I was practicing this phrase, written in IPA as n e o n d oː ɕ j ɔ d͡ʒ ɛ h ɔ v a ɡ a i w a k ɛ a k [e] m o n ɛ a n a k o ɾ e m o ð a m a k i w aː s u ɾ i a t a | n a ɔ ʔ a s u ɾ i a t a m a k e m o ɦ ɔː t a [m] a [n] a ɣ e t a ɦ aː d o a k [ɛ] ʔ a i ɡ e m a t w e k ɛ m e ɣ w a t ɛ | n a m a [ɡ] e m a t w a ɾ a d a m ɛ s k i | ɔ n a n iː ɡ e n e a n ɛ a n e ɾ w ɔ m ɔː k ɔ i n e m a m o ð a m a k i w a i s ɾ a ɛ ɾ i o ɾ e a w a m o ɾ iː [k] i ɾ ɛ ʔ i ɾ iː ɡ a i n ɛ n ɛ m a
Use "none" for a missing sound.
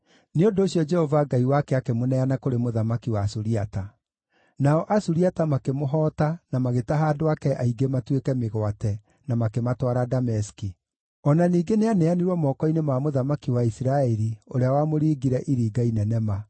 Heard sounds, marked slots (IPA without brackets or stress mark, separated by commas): e, n, m, ɛ, k, ɡ